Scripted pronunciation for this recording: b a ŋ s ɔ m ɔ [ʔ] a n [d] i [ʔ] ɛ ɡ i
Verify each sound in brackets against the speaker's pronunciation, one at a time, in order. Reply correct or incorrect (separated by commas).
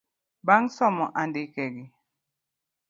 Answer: correct, correct, incorrect